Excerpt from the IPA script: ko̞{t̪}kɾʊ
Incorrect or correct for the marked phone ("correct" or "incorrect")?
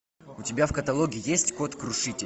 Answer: correct